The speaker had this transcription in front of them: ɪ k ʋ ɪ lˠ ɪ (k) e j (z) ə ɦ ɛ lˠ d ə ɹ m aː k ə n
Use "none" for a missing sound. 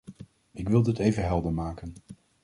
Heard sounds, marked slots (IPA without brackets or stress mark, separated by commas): t, v